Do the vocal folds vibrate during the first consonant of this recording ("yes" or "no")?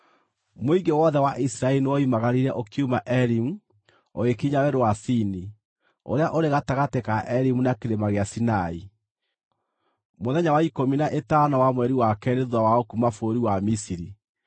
yes